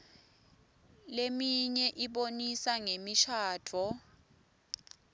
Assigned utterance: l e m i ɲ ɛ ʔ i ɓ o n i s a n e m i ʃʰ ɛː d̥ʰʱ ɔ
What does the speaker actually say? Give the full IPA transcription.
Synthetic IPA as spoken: l e m i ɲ ɛ ʔ i ɓ o n i s a ŋ e m i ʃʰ aː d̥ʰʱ ɔ